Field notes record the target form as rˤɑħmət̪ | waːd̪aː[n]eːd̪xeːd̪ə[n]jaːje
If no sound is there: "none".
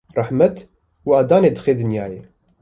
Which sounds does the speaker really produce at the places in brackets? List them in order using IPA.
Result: n, n

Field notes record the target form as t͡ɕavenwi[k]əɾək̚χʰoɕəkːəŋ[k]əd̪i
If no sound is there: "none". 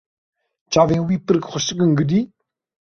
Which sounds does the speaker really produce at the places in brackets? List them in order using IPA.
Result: p, ɡ

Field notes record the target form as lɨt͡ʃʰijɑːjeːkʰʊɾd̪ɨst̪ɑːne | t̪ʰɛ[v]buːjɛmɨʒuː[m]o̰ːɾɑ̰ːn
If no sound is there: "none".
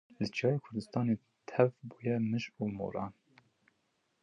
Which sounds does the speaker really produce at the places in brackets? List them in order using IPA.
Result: v, m

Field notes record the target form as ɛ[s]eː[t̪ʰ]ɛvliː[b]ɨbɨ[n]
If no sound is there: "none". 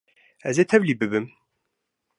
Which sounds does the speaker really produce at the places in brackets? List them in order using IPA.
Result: z, t̪ʰ, b, m

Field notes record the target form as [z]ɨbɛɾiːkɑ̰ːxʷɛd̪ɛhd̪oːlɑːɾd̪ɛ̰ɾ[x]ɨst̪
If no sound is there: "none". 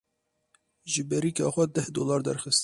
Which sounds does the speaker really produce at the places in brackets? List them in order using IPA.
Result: ʒ, x

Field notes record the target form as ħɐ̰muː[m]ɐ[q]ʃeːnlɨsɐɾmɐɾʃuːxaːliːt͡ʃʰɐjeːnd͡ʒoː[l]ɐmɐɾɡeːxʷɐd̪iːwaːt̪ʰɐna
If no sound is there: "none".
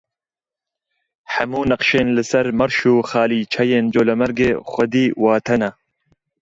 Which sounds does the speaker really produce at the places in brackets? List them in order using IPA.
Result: n, q, l

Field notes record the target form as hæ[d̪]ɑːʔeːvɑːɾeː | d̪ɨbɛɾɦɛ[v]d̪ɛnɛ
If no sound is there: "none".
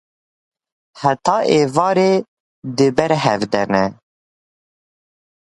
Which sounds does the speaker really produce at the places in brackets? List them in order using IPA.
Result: t̪, v

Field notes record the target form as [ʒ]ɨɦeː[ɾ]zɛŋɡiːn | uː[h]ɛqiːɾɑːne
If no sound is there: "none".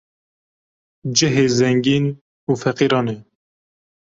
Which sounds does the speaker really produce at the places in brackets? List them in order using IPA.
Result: d͡ʒ, none, f

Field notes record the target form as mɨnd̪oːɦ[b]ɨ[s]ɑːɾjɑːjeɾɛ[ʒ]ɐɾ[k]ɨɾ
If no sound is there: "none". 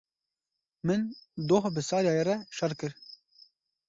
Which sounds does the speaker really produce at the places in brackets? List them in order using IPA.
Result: b, s, ʃ, k

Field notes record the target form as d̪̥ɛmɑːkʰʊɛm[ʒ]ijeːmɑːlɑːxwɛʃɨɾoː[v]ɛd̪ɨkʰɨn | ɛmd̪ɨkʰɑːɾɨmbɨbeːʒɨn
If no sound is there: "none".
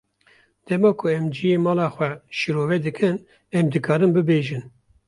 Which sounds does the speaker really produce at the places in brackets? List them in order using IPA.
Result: d͡ʒ, v

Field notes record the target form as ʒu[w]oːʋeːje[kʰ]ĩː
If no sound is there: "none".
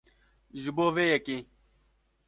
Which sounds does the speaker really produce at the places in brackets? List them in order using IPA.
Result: b, k

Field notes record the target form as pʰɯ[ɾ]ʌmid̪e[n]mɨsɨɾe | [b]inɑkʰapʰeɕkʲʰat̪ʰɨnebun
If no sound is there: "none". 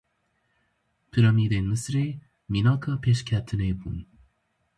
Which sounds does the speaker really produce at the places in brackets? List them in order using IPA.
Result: ɾ, n, m

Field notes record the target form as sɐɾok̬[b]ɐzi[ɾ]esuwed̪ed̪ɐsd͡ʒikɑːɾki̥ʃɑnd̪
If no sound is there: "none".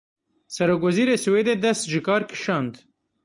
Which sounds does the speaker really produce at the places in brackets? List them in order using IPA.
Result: w, ɾ

